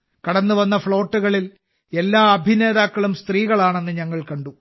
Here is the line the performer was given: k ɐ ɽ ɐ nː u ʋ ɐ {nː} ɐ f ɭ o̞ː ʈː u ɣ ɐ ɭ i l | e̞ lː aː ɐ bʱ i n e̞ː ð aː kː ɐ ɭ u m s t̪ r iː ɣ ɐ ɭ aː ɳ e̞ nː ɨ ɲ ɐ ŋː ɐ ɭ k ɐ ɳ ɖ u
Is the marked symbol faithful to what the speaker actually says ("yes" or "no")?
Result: yes